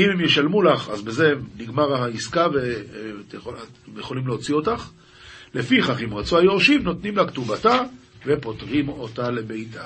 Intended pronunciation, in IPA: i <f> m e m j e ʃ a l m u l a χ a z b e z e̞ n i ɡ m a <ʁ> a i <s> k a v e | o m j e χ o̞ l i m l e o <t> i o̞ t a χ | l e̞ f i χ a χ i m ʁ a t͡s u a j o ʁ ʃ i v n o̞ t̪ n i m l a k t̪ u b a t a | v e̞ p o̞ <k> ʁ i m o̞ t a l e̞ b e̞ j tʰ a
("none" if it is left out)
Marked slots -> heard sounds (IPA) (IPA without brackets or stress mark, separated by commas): none, ʁ, s, t͡s, t